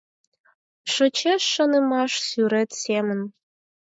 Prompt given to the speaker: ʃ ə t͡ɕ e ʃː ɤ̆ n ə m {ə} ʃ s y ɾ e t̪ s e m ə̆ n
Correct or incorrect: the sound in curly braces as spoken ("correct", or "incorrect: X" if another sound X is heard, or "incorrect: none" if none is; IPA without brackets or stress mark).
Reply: incorrect: ɑ